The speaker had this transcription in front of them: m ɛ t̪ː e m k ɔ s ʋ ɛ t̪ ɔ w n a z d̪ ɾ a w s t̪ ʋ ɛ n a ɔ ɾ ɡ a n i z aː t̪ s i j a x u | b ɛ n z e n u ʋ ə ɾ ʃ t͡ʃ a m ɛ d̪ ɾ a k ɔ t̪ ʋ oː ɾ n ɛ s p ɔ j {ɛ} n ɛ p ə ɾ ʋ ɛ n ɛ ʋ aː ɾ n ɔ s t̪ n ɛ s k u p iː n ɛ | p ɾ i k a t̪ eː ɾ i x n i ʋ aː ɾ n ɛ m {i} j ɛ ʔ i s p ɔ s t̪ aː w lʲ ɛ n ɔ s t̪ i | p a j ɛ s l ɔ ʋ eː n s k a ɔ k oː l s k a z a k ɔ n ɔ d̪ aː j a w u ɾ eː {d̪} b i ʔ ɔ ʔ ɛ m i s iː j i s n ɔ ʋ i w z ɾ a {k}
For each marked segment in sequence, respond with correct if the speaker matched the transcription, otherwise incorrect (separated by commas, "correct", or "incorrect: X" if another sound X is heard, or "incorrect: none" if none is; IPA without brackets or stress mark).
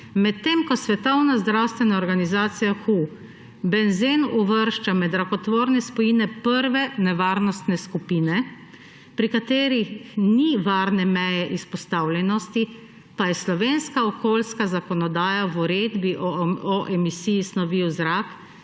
incorrect: i, incorrect: ɛ, correct, correct